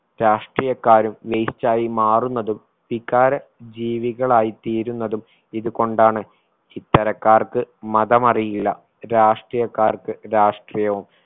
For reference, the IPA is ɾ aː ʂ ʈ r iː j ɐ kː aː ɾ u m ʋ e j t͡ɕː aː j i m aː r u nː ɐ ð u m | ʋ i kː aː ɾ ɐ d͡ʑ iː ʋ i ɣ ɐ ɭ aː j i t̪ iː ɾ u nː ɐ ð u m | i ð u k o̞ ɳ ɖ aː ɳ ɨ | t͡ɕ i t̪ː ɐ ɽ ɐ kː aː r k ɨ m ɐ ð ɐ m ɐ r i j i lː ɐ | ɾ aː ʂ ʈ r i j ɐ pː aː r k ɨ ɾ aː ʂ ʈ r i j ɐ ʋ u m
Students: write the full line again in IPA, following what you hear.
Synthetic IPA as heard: ɾ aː ʂ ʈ r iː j ɐ kː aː ɾ u m ʋ e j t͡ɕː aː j i m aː r u nː ɐ ð u m | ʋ i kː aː ɾ ɐ d͡ʑ iː ʋ i ɣ ɐ ɭ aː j i t̪ iː ɾ u nː ɐ ð u m | i ð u k o̞ ɳ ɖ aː ɳ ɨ | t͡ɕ i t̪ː ɐ ɾ ɐ kː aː r k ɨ m ɐ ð ɐ m ɐ r i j i lː ɐ | ɾ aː ʂ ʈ r i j ɐ kː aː r k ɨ ɾ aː ʂ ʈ r i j ɐ ʋ u m